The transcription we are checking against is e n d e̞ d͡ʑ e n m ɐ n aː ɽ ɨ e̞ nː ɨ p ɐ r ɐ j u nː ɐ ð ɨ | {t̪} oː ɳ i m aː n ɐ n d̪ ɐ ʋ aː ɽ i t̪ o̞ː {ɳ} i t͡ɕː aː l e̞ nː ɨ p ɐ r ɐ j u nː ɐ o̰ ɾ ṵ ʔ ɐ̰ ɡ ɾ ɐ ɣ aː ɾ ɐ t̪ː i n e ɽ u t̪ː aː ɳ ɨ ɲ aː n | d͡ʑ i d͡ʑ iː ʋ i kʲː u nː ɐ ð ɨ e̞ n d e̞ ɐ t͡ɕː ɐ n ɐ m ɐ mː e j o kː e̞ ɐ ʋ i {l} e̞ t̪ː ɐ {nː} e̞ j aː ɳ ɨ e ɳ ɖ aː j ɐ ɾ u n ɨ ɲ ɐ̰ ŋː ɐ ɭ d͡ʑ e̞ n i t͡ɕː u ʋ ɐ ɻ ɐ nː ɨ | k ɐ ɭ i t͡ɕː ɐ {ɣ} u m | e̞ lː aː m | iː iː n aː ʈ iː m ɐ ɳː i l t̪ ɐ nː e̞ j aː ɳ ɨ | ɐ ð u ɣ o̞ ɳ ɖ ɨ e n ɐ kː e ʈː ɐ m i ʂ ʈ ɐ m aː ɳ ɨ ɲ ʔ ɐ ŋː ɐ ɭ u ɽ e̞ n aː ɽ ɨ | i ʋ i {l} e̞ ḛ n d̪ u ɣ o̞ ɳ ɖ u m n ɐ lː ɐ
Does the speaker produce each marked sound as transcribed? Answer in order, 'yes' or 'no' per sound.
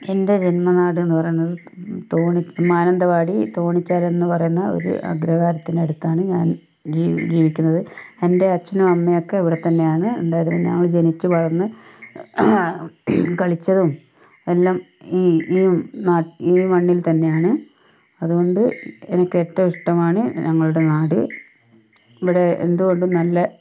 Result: yes, yes, no, yes, no, no

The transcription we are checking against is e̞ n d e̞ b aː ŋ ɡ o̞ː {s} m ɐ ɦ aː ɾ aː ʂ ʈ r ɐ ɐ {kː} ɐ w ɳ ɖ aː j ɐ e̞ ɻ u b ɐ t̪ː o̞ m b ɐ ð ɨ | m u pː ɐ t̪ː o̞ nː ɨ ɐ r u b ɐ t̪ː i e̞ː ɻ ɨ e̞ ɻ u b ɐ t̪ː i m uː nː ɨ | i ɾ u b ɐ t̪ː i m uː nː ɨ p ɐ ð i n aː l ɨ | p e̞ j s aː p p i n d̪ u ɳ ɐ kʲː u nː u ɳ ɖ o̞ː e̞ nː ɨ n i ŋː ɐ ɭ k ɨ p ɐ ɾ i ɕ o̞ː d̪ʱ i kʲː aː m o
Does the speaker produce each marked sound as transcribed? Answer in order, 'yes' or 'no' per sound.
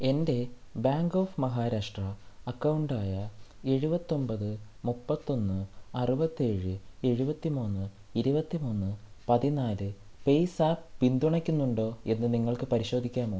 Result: no, yes

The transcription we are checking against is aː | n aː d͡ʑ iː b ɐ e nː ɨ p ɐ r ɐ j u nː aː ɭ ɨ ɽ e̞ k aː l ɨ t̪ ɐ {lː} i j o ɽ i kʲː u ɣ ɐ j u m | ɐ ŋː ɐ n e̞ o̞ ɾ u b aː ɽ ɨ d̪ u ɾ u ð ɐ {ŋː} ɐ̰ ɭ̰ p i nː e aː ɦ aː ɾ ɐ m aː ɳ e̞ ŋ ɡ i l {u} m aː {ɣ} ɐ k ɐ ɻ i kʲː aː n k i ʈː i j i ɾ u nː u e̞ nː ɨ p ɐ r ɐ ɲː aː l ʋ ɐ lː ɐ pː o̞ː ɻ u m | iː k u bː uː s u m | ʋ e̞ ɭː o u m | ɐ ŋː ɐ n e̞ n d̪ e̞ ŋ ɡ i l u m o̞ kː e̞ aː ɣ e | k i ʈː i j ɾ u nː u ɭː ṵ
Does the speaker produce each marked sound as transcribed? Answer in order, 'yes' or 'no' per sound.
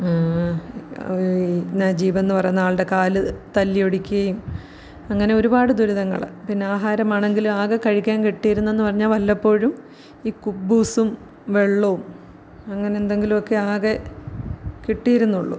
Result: yes, yes, yes, yes

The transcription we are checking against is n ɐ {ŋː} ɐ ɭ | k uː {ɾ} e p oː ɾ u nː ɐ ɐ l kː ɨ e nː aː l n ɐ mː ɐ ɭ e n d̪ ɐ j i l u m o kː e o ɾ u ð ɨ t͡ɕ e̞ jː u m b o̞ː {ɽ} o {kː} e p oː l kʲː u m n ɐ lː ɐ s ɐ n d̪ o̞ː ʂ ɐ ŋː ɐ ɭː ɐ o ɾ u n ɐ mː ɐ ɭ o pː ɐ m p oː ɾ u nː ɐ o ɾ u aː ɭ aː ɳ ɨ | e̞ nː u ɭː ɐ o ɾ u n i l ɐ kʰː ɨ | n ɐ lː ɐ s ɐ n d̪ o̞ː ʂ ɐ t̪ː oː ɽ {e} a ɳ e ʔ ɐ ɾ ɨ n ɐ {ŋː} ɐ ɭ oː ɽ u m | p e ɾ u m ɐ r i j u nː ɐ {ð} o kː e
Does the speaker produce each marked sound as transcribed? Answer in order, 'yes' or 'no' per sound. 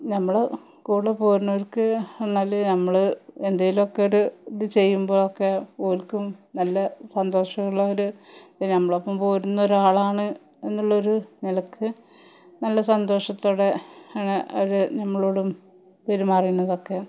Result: no, no, no, yes, yes, no, yes

